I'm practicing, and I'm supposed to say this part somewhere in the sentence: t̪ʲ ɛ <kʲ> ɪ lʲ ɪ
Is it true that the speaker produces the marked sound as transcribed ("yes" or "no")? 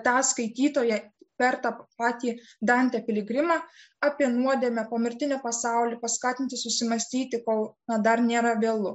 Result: no